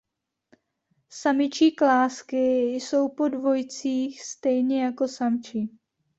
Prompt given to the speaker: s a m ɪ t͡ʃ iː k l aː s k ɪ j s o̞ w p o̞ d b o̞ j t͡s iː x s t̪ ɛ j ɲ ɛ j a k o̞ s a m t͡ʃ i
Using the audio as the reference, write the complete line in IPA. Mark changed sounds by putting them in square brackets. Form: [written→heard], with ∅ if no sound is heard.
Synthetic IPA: s a m ɪ t͡ʃ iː k l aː s k ɪ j s o̞ w p o̞ d [b→v] o̞ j t͡s iː x s t̪ ɛ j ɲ ɛ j a k o̞ s a m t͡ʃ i